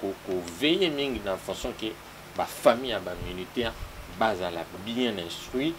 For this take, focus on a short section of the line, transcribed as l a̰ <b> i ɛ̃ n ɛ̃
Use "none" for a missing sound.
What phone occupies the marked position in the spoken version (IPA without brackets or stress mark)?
b